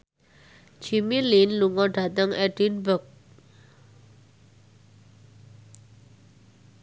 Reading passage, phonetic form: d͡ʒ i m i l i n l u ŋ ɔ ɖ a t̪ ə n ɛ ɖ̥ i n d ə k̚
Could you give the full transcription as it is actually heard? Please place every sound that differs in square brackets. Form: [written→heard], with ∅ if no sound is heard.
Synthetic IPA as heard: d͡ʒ i m i l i n l u ŋ ɔ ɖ a t̪ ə [n→ŋ] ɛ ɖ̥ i n [d→b] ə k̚